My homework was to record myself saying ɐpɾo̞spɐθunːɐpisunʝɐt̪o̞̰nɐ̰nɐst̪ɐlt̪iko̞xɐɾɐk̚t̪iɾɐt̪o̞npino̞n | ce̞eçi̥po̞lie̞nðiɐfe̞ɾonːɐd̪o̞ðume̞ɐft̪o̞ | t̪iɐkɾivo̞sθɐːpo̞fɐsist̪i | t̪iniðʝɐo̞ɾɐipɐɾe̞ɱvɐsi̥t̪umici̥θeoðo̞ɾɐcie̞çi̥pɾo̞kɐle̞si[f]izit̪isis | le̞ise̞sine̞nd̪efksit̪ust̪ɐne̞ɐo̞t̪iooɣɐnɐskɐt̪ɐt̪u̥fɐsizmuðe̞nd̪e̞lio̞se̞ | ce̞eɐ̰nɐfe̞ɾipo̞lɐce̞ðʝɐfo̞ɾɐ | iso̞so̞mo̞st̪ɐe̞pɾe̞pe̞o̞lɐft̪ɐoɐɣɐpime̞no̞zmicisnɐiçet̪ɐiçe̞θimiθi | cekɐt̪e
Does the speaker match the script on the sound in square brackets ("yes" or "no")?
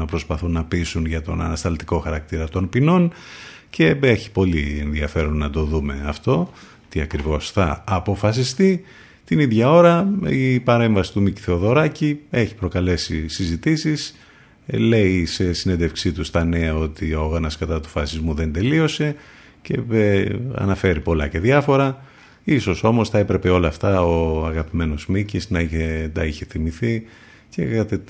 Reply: no